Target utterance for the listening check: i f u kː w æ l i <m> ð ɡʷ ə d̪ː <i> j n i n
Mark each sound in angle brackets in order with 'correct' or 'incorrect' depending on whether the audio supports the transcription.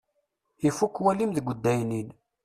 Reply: correct, incorrect: æ

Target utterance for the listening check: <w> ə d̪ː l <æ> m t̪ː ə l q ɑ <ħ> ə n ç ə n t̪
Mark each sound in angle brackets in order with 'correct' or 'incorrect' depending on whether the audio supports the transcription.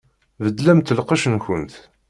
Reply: incorrect: v, correct, incorrect: ʃ

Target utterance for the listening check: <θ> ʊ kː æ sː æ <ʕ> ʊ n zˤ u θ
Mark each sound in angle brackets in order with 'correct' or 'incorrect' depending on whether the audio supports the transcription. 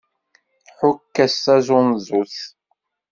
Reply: incorrect: ħ, incorrect: z

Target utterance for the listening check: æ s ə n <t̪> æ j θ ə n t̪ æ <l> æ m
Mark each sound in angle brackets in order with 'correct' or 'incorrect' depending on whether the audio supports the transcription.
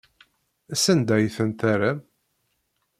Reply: incorrect: d̪, incorrect: ɾ

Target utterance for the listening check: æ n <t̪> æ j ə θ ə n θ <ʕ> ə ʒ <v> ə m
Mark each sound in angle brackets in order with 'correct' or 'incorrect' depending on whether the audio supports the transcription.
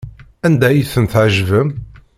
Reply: incorrect: d̪, correct, correct

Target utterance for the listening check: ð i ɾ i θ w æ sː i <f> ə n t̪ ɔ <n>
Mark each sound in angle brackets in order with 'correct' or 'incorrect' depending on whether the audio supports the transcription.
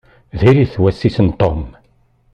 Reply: incorrect: s, incorrect: m

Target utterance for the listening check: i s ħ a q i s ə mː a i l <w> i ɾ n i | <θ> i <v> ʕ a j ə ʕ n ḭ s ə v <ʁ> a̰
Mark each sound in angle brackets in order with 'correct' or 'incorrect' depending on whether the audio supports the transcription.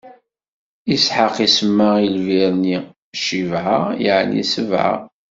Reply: incorrect: v, incorrect: ʃ, correct, incorrect: ʕ

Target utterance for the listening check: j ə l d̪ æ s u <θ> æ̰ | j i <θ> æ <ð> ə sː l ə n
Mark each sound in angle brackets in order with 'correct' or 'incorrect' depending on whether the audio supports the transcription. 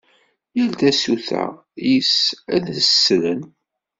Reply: correct, incorrect: s, correct

